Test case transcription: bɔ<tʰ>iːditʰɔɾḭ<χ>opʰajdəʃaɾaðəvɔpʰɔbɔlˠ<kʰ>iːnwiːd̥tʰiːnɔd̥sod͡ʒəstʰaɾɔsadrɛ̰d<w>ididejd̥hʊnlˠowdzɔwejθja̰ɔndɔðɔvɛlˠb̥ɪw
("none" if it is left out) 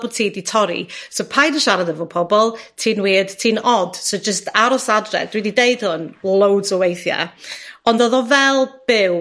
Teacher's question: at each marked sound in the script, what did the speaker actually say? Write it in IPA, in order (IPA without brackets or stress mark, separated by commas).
tʰ, s, tʰ, w